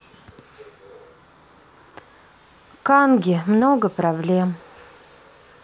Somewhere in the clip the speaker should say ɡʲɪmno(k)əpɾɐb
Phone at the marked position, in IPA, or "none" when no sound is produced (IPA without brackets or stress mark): ɡ